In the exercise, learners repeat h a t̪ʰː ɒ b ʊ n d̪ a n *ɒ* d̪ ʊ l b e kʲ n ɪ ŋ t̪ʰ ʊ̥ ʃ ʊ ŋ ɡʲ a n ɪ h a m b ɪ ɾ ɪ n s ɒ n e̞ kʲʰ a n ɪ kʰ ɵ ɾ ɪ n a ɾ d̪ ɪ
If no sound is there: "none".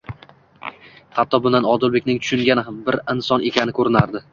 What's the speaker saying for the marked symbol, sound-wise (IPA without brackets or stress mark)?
ɒ